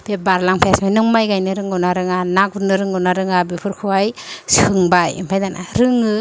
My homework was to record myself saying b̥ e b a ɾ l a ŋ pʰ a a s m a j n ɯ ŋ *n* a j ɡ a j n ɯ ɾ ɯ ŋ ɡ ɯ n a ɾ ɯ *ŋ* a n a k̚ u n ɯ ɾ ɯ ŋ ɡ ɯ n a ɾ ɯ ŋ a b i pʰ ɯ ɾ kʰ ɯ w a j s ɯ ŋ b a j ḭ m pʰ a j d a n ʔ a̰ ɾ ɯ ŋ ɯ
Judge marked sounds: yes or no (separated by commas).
no, yes